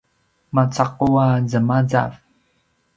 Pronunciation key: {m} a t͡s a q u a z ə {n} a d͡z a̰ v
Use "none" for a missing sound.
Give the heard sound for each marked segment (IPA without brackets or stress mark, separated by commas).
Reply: m, m